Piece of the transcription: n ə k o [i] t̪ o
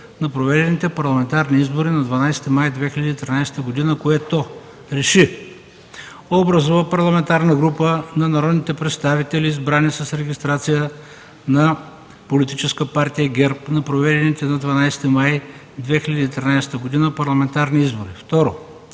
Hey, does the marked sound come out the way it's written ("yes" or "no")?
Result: no